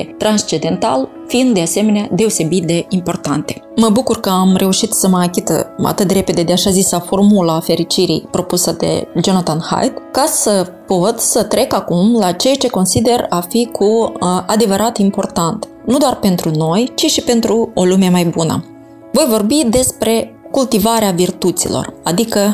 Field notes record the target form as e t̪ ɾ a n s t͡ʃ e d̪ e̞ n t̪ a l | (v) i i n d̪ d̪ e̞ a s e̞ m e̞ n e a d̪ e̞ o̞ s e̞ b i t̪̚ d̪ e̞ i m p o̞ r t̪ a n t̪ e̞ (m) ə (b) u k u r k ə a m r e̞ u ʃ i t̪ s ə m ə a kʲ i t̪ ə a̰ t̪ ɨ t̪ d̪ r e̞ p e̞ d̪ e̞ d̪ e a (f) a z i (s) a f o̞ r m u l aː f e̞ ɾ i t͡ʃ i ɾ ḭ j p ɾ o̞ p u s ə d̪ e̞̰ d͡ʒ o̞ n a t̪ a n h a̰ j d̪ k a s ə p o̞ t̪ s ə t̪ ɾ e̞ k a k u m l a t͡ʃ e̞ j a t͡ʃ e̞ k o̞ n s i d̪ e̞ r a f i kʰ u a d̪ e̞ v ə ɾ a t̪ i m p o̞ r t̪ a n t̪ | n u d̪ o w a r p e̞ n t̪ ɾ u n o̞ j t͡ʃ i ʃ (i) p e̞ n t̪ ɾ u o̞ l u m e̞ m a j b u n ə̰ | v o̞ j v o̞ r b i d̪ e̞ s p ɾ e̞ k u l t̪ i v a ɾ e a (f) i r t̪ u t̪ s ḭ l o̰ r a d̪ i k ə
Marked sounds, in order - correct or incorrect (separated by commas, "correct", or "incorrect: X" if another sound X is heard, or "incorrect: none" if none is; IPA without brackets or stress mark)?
incorrect: f, correct, correct, incorrect: ʃ, correct, correct, incorrect: v